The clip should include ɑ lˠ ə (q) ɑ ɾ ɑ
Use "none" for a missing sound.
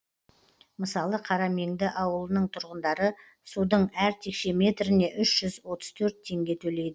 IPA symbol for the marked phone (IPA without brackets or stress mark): qʰ